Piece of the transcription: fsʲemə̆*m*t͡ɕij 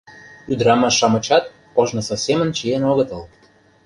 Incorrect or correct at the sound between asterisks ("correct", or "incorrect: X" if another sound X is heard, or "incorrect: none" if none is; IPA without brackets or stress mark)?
incorrect: n